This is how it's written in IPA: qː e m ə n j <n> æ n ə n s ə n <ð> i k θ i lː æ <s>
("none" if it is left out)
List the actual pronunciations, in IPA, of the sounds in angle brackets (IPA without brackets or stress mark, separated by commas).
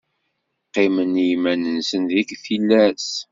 m, ð, s